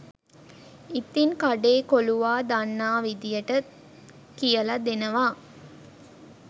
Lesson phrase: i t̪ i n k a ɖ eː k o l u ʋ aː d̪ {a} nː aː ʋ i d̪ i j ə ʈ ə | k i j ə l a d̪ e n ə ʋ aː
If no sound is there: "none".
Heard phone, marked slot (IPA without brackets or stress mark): a